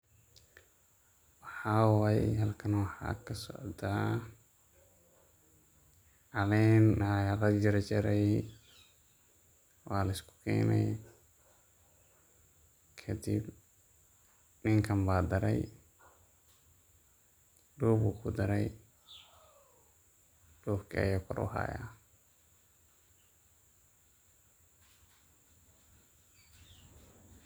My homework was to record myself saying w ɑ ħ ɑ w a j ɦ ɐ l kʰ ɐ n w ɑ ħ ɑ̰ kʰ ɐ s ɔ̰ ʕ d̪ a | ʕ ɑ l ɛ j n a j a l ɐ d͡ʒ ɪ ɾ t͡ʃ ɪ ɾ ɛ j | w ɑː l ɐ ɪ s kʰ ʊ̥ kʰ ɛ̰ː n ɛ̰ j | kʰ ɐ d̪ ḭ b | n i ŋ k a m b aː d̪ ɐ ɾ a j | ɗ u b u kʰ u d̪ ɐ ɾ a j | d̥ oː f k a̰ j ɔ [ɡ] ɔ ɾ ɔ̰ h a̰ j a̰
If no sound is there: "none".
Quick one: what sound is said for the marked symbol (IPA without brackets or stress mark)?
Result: k